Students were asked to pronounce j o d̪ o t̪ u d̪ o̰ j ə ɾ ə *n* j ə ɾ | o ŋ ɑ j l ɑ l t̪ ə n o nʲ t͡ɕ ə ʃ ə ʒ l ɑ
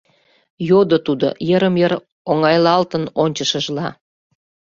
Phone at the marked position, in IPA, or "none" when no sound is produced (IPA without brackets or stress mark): m